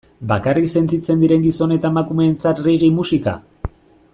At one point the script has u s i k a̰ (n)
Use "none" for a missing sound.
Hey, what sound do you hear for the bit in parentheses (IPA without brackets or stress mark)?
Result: none